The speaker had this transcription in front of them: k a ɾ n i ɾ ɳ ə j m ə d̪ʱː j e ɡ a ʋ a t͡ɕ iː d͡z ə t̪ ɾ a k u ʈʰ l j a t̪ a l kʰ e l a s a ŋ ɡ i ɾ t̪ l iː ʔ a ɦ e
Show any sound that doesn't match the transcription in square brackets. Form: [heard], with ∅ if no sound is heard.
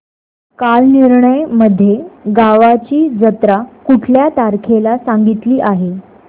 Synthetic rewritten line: k a [l] n i ɾ ɳ ə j m ə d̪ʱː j e ɡ a ʋ a t͡ɕ iː d͡z ə t̪ ɾ a k u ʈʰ l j a t̪ a [ɾ] kʰ e l a s a ŋ ɡ i [∅] t̪ l iː ʔ a ɦ e